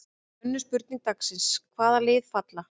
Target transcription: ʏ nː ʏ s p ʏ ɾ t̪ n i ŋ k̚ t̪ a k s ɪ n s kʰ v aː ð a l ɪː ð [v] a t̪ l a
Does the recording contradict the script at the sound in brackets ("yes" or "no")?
yes